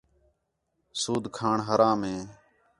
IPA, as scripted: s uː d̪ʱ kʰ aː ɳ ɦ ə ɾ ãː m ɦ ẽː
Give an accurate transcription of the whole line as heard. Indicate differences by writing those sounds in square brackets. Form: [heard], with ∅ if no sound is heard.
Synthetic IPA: s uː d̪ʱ kʰ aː ɳ ɦ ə ɾ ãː m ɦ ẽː